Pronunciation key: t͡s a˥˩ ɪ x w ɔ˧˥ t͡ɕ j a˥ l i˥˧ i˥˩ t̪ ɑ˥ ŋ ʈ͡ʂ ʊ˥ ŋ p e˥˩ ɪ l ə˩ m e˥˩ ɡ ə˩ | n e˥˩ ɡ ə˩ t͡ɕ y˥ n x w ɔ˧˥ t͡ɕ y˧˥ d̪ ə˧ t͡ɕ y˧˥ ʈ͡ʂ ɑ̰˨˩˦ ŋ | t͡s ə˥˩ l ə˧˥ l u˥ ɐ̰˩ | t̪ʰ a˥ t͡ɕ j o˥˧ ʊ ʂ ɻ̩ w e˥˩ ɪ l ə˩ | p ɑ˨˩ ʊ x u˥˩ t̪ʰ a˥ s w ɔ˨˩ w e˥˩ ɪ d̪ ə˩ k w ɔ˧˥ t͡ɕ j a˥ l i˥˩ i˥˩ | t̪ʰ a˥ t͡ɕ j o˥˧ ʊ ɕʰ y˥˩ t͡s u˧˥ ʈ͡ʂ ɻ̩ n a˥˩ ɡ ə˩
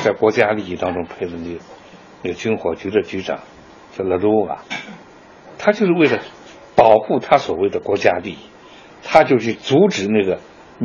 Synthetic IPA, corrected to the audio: t͡s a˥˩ ɪ k w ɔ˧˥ t͡ɕ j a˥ l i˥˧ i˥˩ t̪ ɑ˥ ŋ ʈ͡ʂ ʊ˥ ŋ pʰ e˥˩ ɪ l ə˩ n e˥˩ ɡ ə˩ | n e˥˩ ɡ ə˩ t͡ɕ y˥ n x w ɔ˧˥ t͡ɕ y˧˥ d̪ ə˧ t͡ɕ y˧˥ ʈ͡ʂ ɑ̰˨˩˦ ŋ | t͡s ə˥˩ l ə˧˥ l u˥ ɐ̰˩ | t̪ʰ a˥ t͡ɕ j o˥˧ ʊ ʂ ɻ̩ w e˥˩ ɪ l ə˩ | p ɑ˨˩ ʊ x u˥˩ t̪ʰ a˥ s w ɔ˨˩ w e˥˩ ɪ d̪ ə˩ k w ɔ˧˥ t͡ɕ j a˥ l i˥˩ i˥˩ | t̪ʰ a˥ t͡ɕ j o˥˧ ʊ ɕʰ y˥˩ t͡s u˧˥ ʈ͡ʂ ɻ̩ n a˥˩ ɡ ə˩